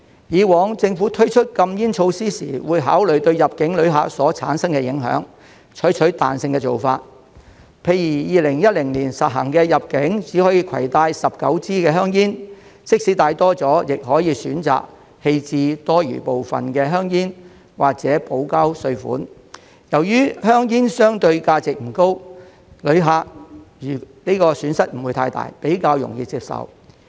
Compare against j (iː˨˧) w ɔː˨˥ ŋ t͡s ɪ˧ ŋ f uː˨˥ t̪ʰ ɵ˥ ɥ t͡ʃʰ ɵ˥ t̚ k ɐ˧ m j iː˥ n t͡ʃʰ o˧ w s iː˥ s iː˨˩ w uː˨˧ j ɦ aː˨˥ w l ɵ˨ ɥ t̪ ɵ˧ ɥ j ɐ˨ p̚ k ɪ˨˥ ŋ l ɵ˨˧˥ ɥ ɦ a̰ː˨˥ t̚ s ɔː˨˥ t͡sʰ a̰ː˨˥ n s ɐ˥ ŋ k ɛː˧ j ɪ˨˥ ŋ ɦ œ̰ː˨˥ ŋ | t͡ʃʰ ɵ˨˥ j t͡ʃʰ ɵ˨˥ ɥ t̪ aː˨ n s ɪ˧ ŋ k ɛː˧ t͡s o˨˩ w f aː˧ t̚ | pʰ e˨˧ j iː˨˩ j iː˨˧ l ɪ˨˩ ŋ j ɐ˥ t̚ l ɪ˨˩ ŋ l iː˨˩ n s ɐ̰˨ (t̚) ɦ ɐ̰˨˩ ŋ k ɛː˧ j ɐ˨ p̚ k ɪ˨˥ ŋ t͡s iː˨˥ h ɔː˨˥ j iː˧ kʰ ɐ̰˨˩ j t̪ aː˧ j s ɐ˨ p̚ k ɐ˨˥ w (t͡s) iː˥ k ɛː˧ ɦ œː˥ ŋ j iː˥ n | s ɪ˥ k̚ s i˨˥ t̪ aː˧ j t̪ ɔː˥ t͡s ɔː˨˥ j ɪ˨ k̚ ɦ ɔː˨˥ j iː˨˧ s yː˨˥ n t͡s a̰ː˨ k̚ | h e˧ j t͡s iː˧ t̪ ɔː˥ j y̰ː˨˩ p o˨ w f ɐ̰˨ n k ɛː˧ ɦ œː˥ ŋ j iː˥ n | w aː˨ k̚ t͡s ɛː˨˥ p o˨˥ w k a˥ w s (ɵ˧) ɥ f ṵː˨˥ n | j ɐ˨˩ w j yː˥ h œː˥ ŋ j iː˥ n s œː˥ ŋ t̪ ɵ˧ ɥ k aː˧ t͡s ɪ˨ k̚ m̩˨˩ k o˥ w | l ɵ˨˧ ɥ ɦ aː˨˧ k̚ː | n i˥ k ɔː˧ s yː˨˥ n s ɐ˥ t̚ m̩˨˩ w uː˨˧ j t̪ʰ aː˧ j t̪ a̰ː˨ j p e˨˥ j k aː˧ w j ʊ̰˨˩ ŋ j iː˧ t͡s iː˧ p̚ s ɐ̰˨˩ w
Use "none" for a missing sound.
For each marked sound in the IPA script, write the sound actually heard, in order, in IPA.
iː˨˧, t̚, t͡s, ɵ˧

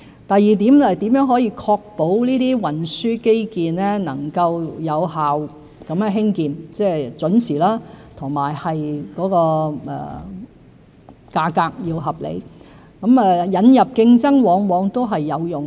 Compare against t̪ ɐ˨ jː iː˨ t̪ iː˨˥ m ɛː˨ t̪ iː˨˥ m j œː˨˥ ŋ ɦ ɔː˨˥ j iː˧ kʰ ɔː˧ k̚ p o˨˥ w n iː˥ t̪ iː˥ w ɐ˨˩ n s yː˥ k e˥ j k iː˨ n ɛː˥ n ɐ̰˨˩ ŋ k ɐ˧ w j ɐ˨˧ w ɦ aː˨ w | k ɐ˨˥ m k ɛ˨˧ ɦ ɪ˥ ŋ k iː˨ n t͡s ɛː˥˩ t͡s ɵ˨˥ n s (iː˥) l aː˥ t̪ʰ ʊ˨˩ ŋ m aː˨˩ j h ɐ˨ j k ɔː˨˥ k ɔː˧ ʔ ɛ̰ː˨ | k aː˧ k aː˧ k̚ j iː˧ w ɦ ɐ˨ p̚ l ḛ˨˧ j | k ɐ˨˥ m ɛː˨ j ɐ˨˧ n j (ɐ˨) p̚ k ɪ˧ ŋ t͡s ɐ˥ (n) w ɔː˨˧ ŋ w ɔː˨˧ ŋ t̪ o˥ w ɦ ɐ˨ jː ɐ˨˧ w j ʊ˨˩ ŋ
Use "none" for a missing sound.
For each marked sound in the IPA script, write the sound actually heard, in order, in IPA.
iː˨˩, ɐ˨, ŋ

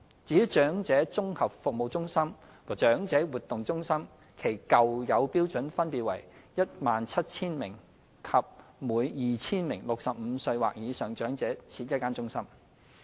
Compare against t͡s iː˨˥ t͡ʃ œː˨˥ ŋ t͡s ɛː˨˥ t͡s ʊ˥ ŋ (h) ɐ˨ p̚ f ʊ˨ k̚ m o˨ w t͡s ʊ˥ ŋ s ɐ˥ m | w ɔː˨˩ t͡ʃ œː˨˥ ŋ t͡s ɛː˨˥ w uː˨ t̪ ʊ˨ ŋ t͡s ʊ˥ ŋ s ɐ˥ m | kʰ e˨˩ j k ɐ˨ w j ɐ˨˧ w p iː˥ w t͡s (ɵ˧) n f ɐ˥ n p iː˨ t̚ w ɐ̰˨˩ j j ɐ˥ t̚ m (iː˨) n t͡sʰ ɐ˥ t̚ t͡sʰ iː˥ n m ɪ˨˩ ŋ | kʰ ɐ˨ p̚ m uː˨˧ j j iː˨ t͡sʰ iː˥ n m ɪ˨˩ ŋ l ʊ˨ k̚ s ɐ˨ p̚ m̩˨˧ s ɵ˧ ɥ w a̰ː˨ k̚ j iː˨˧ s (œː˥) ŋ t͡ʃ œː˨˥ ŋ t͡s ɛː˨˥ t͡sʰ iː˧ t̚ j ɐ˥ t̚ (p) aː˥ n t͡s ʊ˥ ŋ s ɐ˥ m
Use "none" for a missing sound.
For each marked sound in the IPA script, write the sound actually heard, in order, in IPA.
h, ɵ˨˥, aː˨, œː˨, k

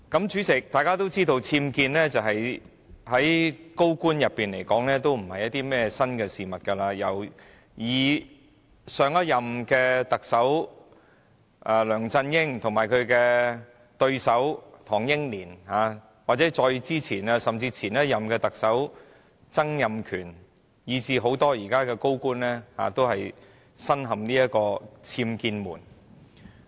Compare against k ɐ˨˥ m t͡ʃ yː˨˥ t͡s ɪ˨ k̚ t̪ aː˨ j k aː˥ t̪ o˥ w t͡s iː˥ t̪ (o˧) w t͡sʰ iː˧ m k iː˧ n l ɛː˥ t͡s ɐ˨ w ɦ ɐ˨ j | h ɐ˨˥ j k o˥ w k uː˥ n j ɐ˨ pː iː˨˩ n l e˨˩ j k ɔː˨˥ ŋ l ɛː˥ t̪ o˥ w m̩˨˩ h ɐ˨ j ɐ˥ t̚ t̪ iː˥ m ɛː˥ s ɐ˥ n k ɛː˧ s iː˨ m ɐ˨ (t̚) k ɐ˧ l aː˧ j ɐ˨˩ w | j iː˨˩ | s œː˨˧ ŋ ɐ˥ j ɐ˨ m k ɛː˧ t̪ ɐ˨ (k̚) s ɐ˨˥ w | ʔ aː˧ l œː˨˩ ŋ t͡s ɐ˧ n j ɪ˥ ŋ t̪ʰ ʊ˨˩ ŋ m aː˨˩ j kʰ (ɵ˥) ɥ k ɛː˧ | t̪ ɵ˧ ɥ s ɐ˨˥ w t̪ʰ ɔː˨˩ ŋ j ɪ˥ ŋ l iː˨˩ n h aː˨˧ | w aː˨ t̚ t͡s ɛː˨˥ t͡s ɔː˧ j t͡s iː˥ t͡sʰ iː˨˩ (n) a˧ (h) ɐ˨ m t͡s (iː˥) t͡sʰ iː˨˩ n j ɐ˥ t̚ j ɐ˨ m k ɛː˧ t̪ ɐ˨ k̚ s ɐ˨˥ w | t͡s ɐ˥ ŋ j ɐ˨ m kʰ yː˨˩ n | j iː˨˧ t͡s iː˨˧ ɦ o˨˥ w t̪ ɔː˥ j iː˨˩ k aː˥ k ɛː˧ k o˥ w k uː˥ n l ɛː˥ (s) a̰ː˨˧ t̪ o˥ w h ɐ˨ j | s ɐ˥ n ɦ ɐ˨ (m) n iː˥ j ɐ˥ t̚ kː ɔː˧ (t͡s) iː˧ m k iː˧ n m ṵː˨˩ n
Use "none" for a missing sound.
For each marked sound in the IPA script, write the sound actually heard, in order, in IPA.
o˧, t̚, k̚, ɵ˨˧, n, s, iː˧, h, m, t͡sʰ

